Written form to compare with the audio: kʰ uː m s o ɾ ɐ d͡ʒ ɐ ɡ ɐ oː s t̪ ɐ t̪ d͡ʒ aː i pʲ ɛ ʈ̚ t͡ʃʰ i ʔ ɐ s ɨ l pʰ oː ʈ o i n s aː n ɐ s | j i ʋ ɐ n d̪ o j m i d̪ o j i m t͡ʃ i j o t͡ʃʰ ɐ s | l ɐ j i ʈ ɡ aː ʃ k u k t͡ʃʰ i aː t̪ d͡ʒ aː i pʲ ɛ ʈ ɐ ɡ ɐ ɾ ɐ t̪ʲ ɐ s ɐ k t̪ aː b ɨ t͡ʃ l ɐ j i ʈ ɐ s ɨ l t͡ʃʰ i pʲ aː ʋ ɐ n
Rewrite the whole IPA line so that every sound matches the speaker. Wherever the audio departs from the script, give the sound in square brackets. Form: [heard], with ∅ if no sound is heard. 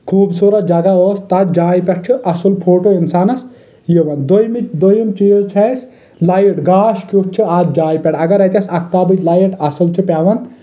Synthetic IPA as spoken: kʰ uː [b] s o ɾ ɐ d͡ʒ ɐ ɡ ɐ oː s t̪ ɐ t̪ d͡ʒ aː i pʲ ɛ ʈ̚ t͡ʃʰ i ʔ ɐ s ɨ l pʰ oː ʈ o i n s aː n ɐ s | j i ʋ ɐ n d̪ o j m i d̪ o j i m t͡ʃ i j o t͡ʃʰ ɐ s | l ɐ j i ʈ ɡ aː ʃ k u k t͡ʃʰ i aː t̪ d͡ʒ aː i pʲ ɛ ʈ ɐ ɡ ɐ ɾ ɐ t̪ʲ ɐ s ɐ k t̪ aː b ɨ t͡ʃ l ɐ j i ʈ ɐ s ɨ l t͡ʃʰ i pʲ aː ʋ ɐ n